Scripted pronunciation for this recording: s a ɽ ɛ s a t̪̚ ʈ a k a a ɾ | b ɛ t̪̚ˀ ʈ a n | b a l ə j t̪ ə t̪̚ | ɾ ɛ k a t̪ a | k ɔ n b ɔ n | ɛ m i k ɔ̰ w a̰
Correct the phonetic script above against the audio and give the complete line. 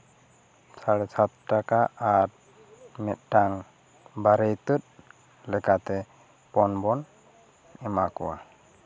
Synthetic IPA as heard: s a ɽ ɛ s a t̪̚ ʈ a k a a ɾ | m ɛ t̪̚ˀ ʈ a ŋ | b a ɾ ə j t̪ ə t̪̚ | l ɛ k a t̪ ɛ | p ɔ n b ɔ n | ɛ m a k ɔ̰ w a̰